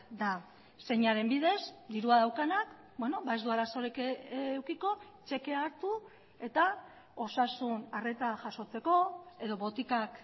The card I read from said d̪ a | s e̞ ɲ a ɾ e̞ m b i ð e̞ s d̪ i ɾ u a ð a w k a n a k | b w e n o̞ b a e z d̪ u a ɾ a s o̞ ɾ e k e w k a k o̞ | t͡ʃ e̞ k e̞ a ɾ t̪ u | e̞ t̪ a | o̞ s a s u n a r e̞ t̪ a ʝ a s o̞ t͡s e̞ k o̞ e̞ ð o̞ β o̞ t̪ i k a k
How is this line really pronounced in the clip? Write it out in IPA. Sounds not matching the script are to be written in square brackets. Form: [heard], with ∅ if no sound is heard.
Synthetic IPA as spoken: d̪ a | s e̞ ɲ a ɾ e̞ m b i ð e̞ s d̪ i ɾ u a ð a w k a n a k | b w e n o̞ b a e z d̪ u a ɾ a s o̞ ɾ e k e w k [i] k o̞ | t͡ʃ e̞ k e̞ a ɾ t̪ u | e̞ t̪ a | o̞ s a s u n a r e̞ t̪ a ʝ a s o̞ t͡s e̞ k o̞ e̞ ð o̞ β o̞ t̪ i k a k

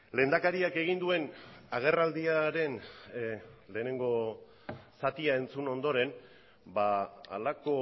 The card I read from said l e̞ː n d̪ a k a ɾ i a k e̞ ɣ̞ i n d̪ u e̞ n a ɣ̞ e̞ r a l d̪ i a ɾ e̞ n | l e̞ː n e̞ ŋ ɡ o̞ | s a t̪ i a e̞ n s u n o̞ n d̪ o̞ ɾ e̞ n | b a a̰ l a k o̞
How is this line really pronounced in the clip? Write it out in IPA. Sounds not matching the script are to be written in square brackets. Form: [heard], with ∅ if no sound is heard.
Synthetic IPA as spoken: l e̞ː n d̪ a k a ɾ i a k e̞ ɣ̞ i n d̪ u e̞ n a ɣ̞ e̞ r a l d̪ i a ɾ e̞ n | l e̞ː n e̞ ŋ ɡ o̞ | s a t̪ i a e̞ n [t͡s] u n o̞ n d̪ o̞ ɾ e̞ n | b a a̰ l a k o̞

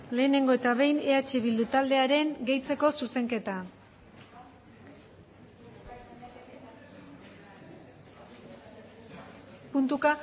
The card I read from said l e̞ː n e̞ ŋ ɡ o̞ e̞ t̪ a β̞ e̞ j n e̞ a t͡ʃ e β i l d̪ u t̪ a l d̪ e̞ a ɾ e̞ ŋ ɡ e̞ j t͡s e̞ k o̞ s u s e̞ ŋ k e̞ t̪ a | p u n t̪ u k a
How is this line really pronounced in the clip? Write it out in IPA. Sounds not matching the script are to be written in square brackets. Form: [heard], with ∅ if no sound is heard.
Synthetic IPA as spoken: l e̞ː n e̞ ŋ ɡ o̞ e̞ t̪ a β̞ e̞ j n e̞ a t͡ʃ e β i l d̪ u t̪ a l d̪ e̞ a ɾ e̞ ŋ ɡ e̞ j t͡s e̞ k o̞ s u s e̞ ŋ k e̞ t̪ a | p u n t̪ u k a

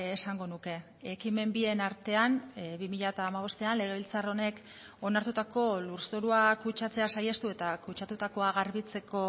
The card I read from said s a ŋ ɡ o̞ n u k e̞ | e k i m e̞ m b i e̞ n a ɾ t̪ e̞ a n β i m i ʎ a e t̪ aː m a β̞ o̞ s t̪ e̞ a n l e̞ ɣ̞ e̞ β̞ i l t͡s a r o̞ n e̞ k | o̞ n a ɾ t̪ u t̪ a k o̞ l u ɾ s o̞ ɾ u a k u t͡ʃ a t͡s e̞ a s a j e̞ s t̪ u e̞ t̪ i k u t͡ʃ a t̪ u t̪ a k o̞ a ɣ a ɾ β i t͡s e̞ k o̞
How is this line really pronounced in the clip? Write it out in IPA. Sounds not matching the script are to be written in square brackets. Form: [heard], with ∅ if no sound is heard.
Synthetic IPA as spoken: s a ŋ ɡ o̞ n u k e̞ | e k i m e̞ m b i e̞ n a ɾ t̪ e̞ a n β i m i ʎ a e t̪ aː m a β̞ o̞ s t̪ e̞ a n l e̞ ɣ̞ e̞ β̞ i l t͡s a r o̞ n e̞ k | o̞ n a ɾ t̪ u t̪ a k o̞ l u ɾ s o̞ ɾ u a k u t͡ʃ a t͡s e̞ a s a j e̞ s t̪ u e̞ t̪ [a] k u t͡ʃ a t̪ u t̪ a k o̞ a ɣ a ɾ β i t͡s e̞ k o̞

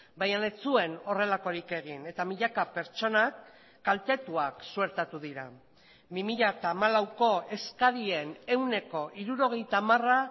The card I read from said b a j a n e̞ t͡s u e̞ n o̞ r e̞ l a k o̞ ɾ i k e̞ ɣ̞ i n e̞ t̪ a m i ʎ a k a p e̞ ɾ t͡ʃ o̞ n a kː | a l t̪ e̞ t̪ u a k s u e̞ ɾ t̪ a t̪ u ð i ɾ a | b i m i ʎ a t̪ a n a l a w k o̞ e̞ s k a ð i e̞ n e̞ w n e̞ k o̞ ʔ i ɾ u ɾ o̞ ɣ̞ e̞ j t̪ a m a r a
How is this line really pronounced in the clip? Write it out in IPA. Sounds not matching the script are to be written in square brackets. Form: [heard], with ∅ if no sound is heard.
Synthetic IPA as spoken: b a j a n e̞ t͡s u e̞ n o̞ r e̞ l a k o̞ ɾ i k e̞ ɣ̞ i n e̞ t̪ a m i ʎ a k a p e̞ ɾ t͡ʃ o̞ n a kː | a l t̪ e̞ t̪ u a k s u e̞ ɾ t̪ a t̪ u ð i ɾ a | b i m i ʎ a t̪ a [m] a l a w k o̞ e̞ s k a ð i e̞ n e̞ w n e̞ k o̞ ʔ i ɾ u ɾ o̞ ɣ̞ e̞ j t̪ a m a r a

